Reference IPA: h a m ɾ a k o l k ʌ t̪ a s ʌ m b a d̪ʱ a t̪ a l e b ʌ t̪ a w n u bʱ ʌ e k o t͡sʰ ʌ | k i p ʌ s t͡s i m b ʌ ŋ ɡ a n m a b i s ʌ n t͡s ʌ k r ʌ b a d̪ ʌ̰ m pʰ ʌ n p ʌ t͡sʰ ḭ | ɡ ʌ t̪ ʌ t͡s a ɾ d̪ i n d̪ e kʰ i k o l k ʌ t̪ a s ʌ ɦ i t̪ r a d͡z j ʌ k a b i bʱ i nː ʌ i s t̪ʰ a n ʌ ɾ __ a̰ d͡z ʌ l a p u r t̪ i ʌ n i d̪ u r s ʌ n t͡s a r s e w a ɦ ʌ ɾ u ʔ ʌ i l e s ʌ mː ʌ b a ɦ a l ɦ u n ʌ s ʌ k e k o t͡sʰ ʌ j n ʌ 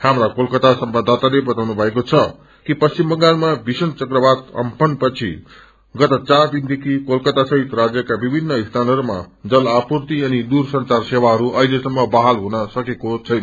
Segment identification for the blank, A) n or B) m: B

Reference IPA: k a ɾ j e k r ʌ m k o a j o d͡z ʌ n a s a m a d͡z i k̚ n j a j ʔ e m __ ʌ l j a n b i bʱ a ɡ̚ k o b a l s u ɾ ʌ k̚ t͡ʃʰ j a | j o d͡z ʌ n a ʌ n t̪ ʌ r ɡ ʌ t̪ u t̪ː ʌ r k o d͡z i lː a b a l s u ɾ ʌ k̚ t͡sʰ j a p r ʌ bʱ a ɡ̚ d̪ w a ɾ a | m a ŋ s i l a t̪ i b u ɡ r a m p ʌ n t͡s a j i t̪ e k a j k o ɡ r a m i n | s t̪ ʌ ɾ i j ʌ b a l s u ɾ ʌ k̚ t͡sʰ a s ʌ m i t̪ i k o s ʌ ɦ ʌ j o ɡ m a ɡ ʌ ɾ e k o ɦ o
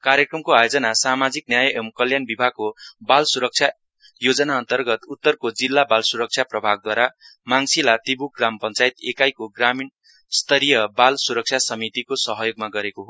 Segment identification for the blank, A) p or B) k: B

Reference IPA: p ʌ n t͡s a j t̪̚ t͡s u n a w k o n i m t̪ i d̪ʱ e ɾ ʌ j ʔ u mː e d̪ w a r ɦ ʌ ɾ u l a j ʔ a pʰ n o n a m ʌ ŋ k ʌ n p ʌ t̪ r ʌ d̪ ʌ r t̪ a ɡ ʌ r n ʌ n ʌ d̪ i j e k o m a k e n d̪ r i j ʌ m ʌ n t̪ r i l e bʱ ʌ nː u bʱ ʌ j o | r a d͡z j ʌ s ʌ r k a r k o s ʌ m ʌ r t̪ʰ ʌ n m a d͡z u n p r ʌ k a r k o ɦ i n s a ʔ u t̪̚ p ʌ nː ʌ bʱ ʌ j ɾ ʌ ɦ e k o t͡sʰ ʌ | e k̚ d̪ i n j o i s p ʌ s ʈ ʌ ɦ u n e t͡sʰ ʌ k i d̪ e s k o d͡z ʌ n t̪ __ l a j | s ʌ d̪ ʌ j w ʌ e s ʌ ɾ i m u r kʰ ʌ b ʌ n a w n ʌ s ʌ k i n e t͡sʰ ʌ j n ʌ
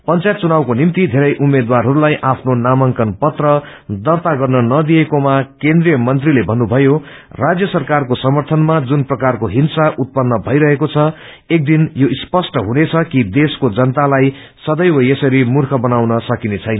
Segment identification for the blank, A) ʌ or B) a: B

